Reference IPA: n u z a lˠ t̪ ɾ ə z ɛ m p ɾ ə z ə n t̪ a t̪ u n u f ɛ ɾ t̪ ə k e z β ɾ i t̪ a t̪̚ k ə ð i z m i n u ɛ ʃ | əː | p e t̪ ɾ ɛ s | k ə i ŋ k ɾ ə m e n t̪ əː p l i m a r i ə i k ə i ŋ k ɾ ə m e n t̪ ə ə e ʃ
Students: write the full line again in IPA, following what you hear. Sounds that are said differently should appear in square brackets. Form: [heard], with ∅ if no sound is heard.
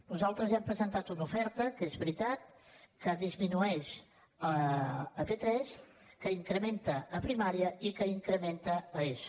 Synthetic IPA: n u z a lˠ t̪ ɾ ə z ɛ m p ɾ ə z ə n t̪ a t̪ u n u f ɛ ɾ t̪ ə k e z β ɾ i t̪ a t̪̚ k ə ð i z m i n u ɛ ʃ | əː | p e t̪ ɾ ɛ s | k ə i ŋ k ɾ ə m e n t̪ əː p [ɾ] i m a [ɾ] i ə i k ə i ŋ k ɾ ə m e n t̪ ə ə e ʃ